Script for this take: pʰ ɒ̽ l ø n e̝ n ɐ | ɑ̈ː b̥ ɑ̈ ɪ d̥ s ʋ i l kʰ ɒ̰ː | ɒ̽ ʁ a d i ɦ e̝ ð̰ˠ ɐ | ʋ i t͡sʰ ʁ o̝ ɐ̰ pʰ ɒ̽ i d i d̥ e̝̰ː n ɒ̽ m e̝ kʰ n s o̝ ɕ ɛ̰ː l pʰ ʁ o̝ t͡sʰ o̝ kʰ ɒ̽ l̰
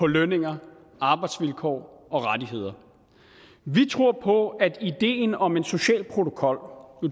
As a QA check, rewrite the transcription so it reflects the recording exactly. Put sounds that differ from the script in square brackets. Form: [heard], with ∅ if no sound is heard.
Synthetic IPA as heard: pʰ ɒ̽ l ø n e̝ [ŋ] ɐ | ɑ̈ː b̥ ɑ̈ ɪ d̥ s ʋ i l kʰ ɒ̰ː | ɒ̽ ʁ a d i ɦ e̝ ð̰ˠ ɐ | ʋ i t͡sʰ ʁ o̝ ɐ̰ pʰ ɒ̽ [æ] d i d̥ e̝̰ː n ɒ̽ m e̝ [∅] n s o̝ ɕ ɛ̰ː l pʰ ʁ o̝ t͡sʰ o̝ kʰ ɒ̽ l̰